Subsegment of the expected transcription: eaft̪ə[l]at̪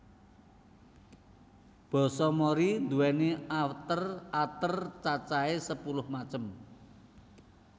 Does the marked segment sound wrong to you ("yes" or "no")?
yes